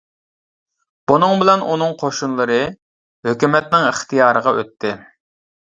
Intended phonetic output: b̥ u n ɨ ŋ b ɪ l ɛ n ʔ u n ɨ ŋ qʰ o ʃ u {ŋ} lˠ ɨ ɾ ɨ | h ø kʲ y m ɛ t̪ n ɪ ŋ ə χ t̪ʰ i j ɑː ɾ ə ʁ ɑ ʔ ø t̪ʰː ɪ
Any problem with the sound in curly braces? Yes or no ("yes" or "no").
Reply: yes